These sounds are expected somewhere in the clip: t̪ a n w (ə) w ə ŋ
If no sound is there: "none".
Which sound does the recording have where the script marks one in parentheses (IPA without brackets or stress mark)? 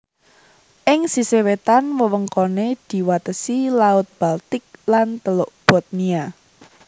ə